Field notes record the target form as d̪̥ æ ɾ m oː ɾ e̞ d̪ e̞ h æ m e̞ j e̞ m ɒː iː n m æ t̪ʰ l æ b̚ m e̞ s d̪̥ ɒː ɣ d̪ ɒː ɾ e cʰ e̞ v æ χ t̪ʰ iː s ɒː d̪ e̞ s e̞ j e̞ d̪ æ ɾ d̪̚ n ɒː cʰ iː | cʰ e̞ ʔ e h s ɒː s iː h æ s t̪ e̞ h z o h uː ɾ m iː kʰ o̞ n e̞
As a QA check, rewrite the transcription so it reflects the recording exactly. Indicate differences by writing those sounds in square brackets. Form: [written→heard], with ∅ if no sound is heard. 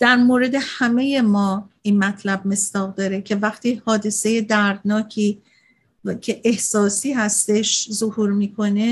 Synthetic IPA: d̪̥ æ ɾ m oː ɾ e̞ d̪ e̞ h æ m e̞ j e̞ m ɒː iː n m æ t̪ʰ l æ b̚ m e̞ s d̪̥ ɒː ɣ d̪ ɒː ɾ e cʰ e̞ v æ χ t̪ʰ iː [s→h] ɒː d̪ e̞ s e̞ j e̞ d̪ æ ɾ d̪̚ n ɒː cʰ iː | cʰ e̞ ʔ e h s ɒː s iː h æ s t̪ e̞ [h→ʃ] z o h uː ɾ m iː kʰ o̞ n e̞